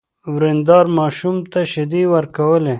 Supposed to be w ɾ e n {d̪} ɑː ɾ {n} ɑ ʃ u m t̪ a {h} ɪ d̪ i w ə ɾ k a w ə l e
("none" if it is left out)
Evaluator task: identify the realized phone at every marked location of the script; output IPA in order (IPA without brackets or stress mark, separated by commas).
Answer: d̪, m, ʃ